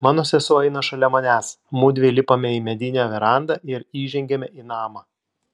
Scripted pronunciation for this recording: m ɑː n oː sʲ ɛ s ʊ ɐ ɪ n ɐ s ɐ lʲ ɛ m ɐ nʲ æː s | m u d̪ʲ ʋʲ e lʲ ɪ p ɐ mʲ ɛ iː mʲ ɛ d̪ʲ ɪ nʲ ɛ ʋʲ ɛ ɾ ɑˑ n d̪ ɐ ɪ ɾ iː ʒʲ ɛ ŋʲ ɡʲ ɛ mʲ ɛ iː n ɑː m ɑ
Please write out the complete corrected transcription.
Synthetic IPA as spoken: m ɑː n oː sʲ ɛ s ʊ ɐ ɪ n ɐ ʃ ɐ lʲ ɛ m ɐ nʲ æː s | m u d̪ʲ ʋʲ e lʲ ɪ p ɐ mʲ ɛ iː mʲ ɛ d̪ʲ ɪ nʲ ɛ ʋʲ ɛ ɾ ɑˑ n d̪ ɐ ɪ ɾ iː ʒʲ ɛ ŋʲ ɡʲ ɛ mʲ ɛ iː n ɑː m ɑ